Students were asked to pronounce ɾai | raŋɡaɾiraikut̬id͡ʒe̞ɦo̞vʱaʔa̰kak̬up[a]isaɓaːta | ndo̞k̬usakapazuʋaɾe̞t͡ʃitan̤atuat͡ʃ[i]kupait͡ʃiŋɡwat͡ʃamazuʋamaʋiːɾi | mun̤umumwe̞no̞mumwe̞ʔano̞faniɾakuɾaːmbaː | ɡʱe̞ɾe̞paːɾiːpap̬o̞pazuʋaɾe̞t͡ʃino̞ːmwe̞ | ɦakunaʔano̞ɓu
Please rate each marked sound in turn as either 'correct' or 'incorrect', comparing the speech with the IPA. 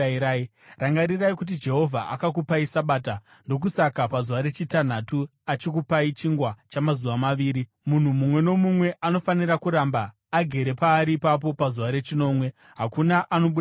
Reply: correct, correct

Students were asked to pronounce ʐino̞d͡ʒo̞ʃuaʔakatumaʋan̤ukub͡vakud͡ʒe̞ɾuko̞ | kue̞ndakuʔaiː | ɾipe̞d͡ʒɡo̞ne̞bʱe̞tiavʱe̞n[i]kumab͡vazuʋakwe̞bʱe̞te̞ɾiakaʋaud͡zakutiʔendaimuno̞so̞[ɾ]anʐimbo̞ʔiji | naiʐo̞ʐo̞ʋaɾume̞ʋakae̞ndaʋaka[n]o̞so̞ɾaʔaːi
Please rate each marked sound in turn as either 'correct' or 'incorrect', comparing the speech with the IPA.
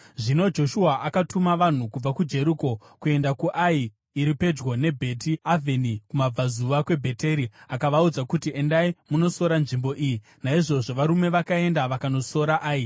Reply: correct, correct, correct

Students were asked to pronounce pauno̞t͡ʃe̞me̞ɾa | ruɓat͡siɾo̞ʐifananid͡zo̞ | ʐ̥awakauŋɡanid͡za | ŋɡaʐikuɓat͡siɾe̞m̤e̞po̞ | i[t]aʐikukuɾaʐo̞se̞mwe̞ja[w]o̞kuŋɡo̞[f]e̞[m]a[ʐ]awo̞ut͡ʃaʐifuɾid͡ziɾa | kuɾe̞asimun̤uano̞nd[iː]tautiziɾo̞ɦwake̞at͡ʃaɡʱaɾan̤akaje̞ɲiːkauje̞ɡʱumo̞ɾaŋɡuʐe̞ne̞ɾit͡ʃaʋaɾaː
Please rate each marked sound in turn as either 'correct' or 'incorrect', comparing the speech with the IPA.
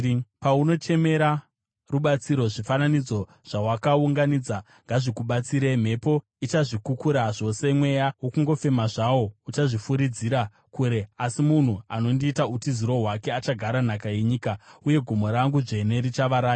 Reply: incorrect: t͡ʃ, correct, correct, correct, correct, correct

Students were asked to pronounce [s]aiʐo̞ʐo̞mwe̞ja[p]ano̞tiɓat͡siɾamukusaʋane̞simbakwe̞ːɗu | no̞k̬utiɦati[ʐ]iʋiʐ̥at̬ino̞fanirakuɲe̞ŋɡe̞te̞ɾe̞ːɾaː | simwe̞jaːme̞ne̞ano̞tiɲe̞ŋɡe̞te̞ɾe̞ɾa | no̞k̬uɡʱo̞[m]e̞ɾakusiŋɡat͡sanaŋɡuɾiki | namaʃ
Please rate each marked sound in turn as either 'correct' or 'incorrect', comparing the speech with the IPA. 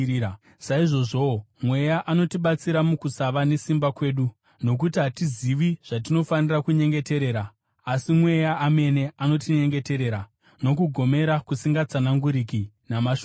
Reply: correct, incorrect: ʔ, incorrect: z, correct

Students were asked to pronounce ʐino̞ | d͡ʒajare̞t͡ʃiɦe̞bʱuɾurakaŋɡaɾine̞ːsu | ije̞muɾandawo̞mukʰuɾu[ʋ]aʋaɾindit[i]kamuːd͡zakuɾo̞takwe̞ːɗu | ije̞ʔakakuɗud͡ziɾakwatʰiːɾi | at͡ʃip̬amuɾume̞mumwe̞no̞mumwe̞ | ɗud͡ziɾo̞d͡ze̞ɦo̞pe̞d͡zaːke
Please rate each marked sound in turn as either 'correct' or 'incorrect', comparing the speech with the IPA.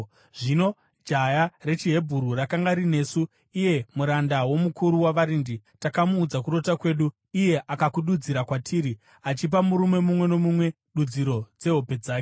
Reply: incorrect: w, incorrect: a

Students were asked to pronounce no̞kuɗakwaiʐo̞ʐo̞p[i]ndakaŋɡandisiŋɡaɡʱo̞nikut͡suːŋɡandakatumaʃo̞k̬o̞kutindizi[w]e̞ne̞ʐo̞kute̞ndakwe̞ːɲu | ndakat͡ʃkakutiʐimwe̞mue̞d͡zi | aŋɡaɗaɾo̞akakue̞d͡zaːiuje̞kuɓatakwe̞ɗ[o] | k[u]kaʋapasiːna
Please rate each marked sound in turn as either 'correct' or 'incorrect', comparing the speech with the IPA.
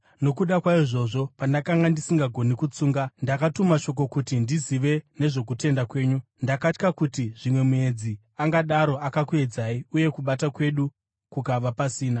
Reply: incorrect: a, incorrect: ʋ, incorrect: u, correct

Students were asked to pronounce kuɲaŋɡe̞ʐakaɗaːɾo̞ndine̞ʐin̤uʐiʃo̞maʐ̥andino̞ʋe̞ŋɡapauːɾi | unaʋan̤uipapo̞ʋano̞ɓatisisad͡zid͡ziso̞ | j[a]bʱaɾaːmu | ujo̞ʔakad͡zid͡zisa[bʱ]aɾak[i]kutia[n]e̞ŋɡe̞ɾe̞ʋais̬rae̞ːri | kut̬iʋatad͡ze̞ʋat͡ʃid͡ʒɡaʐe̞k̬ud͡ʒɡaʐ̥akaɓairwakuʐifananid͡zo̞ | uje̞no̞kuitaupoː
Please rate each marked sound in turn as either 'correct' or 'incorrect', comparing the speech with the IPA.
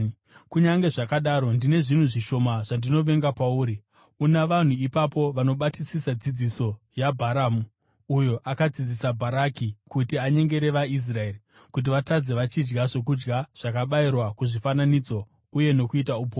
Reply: correct, correct, correct, incorrect: ɲ

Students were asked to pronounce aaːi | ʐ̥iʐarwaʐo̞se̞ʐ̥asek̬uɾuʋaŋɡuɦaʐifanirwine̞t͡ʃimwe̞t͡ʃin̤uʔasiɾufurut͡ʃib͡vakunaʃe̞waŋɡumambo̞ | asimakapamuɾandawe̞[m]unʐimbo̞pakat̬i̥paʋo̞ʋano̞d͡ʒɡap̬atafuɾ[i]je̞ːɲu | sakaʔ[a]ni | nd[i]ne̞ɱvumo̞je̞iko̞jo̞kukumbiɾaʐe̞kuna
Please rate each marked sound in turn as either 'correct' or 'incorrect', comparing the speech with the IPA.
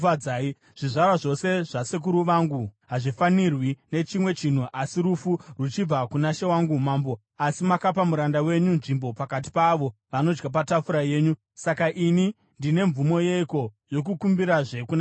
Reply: incorrect: ɲ, incorrect: a, incorrect: i, correct

